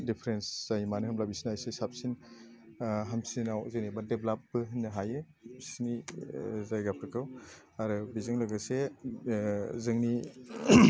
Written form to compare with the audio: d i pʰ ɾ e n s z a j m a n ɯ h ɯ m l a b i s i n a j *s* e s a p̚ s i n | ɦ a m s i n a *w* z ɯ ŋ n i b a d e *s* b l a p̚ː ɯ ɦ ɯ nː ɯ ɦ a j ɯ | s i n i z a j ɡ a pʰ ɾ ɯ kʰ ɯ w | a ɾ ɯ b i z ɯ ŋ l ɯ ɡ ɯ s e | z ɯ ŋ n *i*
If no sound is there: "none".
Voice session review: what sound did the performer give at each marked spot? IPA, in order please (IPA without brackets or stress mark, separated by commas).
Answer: s, w, none, i